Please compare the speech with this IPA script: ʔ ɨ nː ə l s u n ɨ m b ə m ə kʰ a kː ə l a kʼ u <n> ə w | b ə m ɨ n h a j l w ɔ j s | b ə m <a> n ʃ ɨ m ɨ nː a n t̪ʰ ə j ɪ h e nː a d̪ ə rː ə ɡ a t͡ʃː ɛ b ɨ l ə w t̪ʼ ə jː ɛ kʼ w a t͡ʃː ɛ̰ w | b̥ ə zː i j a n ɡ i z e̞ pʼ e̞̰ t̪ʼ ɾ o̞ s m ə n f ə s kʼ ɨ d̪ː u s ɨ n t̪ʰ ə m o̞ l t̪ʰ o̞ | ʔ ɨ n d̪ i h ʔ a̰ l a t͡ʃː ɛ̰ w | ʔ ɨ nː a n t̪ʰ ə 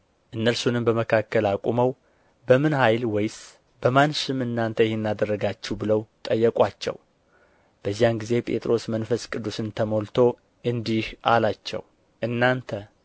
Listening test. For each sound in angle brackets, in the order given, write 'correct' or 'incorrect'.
incorrect: m, correct

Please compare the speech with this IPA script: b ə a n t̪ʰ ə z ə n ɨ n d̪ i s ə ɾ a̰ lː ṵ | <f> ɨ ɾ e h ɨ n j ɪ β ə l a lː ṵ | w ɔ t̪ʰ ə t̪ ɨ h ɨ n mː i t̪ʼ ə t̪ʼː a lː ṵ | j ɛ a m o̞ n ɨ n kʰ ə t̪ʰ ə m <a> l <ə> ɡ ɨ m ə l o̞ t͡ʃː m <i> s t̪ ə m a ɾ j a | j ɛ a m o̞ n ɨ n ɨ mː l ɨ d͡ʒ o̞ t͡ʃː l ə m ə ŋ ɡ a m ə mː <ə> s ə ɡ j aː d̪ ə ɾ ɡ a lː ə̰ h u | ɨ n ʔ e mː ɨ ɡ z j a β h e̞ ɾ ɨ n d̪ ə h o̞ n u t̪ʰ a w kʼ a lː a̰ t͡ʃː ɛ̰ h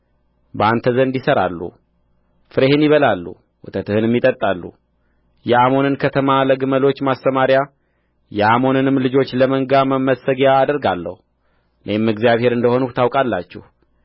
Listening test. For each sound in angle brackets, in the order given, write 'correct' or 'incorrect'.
correct, correct, correct, incorrect: a, correct

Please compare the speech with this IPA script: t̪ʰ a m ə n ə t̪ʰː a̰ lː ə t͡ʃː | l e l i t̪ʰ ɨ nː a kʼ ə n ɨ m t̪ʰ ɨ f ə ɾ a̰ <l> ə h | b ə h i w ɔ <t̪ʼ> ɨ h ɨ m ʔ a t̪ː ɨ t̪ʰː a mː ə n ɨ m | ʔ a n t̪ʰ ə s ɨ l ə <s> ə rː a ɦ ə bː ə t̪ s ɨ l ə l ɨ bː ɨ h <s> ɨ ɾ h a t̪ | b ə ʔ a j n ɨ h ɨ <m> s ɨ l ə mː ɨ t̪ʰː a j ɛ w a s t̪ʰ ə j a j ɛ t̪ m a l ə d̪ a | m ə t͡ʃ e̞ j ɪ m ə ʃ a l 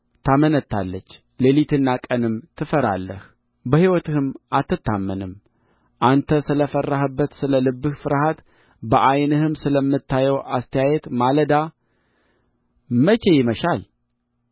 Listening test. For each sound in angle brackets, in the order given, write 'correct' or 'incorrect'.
incorrect: lː, incorrect: t̪, incorrect: f, incorrect: f, correct

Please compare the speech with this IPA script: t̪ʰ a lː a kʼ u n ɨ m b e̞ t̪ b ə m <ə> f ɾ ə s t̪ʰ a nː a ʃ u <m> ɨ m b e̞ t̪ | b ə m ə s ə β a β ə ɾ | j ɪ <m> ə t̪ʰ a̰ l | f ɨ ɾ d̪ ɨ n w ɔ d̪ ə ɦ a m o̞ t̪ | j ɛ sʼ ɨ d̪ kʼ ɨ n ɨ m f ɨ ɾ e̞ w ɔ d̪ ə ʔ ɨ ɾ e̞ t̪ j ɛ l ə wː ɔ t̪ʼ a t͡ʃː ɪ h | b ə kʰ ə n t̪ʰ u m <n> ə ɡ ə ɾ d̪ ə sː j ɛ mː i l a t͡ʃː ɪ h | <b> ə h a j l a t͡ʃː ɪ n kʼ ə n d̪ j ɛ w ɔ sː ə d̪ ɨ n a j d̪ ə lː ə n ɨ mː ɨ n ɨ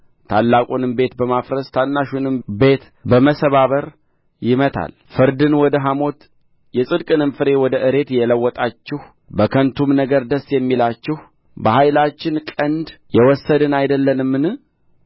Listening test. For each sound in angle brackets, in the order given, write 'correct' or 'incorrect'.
incorrect: a, incorrect: n, correct, correct, correct

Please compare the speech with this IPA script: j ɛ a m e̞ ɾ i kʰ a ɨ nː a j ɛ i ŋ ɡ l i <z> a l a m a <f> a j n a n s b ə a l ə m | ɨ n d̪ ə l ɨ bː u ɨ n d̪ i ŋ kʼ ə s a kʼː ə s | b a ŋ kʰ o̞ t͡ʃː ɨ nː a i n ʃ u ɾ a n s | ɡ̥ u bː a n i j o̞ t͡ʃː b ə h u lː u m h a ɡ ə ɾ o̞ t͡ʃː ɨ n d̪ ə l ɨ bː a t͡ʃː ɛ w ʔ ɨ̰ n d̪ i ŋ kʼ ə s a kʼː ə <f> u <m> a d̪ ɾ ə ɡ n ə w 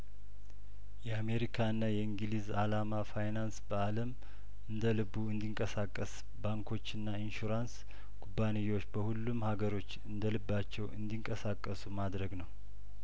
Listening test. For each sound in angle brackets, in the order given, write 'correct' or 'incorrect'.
correct, correct, incorrect: s, correct

